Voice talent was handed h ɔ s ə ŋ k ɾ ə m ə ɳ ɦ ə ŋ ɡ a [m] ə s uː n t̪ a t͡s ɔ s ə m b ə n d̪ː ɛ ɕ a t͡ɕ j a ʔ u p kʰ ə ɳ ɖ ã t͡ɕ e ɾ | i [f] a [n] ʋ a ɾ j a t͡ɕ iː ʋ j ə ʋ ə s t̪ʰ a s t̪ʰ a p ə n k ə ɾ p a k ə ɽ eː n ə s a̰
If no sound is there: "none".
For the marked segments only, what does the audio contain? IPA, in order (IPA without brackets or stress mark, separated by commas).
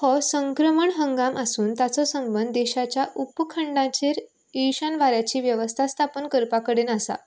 m, ɕ, n